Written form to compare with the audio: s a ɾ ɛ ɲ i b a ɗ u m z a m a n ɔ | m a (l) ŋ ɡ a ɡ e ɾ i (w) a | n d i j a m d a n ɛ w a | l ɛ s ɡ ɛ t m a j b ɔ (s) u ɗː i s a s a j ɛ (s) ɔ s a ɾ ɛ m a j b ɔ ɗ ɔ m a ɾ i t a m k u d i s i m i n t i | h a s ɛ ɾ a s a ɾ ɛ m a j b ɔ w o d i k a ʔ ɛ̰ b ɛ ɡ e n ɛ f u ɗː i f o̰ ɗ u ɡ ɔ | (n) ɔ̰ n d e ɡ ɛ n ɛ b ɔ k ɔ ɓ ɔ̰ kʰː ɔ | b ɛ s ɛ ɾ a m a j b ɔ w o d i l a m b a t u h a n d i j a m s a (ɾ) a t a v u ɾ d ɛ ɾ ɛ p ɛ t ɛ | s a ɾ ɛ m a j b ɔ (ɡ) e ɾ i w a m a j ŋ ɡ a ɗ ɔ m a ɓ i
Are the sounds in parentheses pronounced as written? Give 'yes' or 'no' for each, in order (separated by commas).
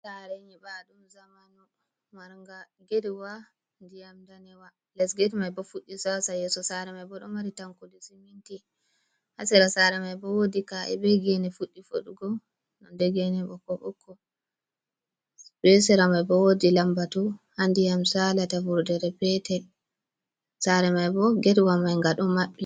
no, yes, no, yes, yes, no, yes